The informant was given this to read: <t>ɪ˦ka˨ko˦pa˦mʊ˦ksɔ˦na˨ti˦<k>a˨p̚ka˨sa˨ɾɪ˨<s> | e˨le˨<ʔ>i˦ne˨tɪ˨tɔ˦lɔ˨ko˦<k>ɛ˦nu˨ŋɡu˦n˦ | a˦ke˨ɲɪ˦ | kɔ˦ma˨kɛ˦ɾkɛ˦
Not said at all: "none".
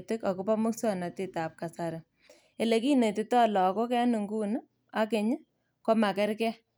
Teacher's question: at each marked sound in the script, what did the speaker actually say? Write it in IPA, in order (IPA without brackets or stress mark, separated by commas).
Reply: t, t, none, k, k